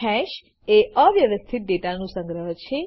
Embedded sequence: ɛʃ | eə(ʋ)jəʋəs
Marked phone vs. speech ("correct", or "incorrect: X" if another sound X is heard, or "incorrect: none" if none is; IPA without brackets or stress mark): correct